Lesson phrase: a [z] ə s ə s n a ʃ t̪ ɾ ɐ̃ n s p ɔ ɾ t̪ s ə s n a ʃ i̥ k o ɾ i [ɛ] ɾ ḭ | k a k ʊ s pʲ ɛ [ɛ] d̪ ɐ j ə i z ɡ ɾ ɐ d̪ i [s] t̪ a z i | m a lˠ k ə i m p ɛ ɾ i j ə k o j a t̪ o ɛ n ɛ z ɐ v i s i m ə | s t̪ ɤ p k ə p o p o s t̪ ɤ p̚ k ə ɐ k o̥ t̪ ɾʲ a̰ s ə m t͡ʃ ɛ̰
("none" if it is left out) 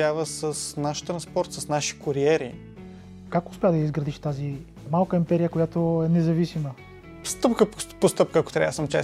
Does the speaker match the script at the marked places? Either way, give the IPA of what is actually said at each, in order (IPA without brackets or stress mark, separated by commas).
v, ɛ, a, ʃ